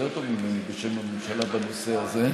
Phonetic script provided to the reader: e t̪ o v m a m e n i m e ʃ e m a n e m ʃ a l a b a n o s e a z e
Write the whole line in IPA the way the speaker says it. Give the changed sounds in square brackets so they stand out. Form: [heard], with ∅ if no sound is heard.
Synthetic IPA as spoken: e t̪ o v m [i] m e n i [b] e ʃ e m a [m] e m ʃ a l a b a n o s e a z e